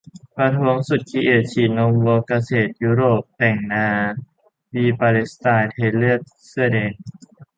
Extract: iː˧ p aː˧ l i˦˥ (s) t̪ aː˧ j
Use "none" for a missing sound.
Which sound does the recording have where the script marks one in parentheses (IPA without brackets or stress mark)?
s